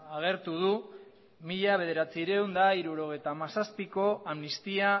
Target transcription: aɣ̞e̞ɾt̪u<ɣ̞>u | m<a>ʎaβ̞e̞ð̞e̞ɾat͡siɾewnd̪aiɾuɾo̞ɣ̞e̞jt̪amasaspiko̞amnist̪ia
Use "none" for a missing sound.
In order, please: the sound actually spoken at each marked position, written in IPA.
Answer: ð̞, i

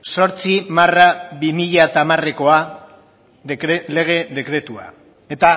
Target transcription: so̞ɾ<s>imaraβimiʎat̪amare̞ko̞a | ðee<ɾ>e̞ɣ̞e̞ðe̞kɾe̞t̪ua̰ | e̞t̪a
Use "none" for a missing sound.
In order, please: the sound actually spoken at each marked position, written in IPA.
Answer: t͡s, l

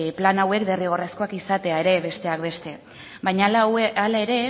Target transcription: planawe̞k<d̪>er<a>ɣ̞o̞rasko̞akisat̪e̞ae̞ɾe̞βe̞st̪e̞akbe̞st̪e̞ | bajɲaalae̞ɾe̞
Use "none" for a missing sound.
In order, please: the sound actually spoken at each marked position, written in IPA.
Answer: d̪, i

